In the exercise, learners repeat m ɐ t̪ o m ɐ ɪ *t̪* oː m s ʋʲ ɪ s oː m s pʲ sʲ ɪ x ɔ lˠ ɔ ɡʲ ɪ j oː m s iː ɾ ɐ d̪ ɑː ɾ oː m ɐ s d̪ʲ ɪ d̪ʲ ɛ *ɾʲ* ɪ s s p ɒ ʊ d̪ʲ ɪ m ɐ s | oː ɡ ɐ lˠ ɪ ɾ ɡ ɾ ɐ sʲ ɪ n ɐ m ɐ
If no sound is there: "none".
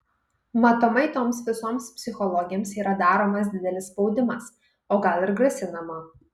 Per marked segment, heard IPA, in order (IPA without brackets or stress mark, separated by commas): t̪, lʲ